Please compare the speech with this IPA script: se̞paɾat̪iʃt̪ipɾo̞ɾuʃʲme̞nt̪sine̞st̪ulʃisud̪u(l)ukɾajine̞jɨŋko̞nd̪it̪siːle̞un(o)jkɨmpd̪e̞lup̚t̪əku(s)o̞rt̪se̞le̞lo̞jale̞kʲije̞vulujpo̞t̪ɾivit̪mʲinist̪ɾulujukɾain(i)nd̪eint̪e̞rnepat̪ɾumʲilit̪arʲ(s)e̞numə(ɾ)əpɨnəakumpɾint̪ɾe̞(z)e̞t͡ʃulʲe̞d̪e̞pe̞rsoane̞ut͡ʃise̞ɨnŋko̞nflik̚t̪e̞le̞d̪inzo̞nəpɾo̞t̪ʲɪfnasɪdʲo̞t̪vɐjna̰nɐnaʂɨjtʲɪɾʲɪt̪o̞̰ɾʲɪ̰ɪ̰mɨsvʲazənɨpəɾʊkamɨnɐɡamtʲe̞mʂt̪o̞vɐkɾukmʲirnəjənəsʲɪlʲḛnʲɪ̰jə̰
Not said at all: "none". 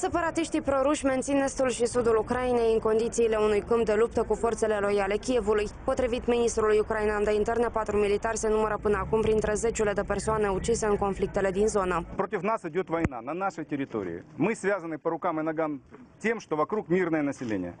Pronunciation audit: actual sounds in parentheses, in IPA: l, u, f, a, s, ɾ, z

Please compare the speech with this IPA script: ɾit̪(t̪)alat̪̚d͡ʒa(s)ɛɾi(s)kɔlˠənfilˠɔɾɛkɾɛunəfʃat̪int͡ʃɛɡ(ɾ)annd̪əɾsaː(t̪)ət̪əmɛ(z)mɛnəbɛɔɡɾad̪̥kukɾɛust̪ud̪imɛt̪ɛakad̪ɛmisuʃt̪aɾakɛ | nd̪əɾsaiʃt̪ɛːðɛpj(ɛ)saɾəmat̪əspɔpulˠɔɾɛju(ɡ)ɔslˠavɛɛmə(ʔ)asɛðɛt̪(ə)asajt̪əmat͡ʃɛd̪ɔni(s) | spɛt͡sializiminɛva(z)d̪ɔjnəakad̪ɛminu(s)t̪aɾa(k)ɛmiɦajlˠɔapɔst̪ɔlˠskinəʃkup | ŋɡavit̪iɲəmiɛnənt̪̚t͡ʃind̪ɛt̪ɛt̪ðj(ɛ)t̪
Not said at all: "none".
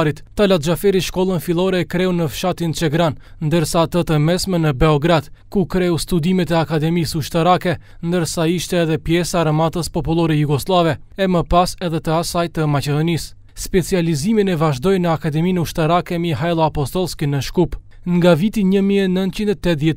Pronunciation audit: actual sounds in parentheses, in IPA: t̪, f, ʃ, ɾ, t̪, s, ɛ, ɡ, p, ə, s, ʒ, ʃ, k, ɛ

